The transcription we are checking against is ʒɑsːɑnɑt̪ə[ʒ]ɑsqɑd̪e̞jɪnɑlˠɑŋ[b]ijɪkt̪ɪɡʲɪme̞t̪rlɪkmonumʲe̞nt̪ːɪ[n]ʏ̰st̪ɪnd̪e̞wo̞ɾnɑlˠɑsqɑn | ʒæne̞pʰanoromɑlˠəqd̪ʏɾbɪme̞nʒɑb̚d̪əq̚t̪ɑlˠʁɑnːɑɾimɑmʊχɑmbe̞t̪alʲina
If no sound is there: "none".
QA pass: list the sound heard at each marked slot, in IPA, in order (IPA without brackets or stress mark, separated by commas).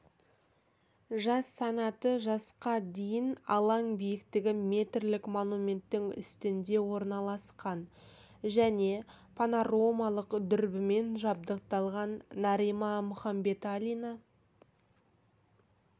ʒ, b, ŋ